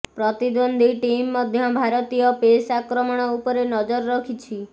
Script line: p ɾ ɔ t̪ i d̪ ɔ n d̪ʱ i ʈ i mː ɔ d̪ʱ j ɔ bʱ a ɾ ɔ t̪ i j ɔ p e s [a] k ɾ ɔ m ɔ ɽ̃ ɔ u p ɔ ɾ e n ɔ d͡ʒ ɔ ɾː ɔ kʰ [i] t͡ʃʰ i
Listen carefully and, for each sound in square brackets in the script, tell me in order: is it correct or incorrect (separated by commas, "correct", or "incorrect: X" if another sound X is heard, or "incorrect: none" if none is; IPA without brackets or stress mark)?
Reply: correct, correct